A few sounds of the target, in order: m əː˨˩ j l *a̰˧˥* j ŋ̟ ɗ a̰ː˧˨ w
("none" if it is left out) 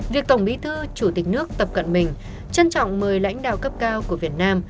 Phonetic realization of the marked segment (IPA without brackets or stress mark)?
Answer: a̰˧˥